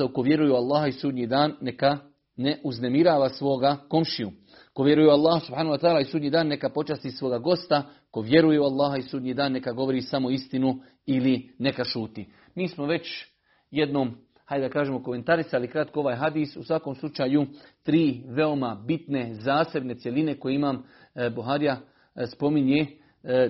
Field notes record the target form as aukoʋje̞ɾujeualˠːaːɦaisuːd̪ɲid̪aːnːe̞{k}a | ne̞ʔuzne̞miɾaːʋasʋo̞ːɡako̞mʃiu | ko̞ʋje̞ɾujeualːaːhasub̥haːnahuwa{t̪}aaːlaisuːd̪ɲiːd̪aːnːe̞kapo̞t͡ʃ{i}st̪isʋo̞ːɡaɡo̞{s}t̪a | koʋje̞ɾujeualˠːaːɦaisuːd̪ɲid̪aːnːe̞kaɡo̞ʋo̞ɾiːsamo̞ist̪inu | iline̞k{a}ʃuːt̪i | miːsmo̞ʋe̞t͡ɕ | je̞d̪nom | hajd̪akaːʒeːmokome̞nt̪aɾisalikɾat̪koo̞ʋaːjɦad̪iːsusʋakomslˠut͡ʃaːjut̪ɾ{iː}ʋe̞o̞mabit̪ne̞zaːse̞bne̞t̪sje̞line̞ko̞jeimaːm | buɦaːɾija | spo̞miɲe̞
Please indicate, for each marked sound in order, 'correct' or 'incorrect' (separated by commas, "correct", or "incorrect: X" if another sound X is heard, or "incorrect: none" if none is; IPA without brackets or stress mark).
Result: correct, correct, incorrect: a, correct, correct, correct